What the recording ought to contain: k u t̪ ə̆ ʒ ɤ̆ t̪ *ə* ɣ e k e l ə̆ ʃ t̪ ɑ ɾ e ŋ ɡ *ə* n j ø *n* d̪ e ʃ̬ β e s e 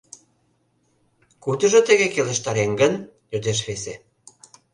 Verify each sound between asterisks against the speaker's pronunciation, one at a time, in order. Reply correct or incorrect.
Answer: correct, correct, incorrect: none

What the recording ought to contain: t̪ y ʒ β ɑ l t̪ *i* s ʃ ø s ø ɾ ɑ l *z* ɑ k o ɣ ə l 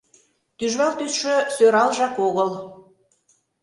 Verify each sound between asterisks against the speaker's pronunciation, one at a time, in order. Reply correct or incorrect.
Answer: incorrect: y, incorrect: ʒ

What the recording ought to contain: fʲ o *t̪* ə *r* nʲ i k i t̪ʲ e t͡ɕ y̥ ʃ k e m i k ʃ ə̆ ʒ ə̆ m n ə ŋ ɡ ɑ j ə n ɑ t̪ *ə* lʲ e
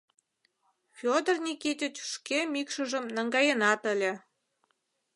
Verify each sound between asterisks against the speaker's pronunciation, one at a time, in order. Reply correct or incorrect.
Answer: incorrect: d̪, correct, correct

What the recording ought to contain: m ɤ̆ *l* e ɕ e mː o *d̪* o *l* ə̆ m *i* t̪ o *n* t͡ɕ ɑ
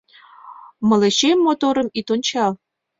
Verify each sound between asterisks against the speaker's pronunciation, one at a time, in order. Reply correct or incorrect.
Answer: correct, incorrect: t̪, incorrect: ɾ, correct, correct

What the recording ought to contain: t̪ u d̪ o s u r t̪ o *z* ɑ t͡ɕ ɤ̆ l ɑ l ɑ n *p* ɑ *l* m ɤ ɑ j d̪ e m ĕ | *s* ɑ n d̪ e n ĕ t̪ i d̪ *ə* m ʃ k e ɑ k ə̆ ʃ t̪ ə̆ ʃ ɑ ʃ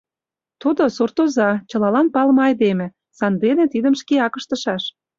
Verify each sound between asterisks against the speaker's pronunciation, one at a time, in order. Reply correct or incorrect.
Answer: correct, correct, correct, correct, correct

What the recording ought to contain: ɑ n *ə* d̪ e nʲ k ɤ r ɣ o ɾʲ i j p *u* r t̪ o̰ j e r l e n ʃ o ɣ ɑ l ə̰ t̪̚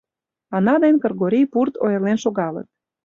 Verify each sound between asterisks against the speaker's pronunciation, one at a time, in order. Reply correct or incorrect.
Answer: incorrect: ɑ, correct

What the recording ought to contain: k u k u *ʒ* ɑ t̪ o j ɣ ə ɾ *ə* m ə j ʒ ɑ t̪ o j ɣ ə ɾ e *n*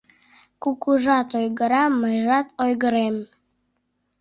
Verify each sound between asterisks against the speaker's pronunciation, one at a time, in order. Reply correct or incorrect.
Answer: correct, incorrect: ɑ, incorrect: m

